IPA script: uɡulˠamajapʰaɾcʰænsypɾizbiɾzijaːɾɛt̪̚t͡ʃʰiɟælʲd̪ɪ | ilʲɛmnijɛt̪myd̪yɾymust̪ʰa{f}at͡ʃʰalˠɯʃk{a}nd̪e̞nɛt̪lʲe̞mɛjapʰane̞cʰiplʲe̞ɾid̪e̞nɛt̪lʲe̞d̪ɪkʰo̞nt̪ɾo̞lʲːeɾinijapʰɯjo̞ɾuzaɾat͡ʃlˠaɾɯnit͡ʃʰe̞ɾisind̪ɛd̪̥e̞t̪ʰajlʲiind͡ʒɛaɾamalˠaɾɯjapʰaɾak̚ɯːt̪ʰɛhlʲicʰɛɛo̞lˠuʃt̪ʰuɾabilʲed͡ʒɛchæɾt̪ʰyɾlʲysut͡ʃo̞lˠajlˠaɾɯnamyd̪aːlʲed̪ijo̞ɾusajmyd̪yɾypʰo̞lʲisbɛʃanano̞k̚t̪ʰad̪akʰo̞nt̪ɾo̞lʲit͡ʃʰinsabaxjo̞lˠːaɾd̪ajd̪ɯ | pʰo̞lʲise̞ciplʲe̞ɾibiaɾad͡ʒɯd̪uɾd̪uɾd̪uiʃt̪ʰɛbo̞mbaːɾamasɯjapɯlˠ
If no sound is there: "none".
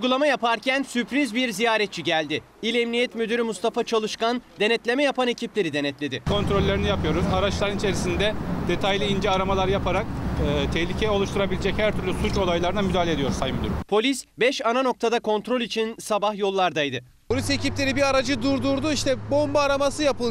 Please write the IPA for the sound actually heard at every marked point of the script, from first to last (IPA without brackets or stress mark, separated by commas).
f, a